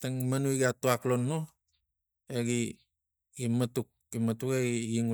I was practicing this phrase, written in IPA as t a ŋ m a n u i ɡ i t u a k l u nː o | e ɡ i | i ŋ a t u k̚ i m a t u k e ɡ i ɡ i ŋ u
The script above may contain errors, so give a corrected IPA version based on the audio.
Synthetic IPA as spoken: t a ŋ m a n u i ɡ a t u a k l o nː o | e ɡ i | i m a t u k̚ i m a t u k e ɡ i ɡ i ŋ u